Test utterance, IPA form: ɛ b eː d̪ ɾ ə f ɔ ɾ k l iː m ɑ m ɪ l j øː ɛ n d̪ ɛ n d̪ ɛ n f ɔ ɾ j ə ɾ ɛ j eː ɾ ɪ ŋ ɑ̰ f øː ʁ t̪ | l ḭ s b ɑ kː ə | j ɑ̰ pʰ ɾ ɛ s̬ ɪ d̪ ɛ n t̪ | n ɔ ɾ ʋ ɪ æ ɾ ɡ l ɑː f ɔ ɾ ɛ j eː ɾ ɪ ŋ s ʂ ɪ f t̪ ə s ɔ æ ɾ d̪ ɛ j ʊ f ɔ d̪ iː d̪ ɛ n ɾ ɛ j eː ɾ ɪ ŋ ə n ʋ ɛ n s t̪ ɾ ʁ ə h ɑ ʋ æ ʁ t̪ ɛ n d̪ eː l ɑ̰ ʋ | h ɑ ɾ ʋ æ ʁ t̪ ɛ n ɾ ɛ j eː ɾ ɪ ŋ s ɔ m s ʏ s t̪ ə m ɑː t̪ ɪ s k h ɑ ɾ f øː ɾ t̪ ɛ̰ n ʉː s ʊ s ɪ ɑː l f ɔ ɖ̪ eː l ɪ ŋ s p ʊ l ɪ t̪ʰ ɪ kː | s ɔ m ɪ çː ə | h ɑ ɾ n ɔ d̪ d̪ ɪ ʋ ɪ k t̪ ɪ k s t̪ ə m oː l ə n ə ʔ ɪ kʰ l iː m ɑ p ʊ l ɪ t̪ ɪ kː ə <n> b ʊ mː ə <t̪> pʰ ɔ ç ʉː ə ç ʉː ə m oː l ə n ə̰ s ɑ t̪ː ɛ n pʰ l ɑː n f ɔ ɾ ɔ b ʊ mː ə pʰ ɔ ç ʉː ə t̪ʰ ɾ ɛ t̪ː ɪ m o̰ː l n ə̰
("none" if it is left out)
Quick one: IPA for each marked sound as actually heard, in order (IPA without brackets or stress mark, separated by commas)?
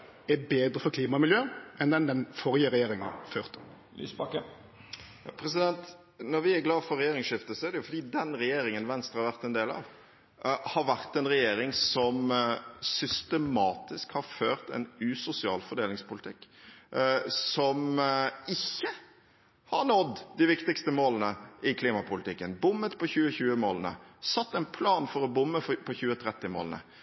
n, t̪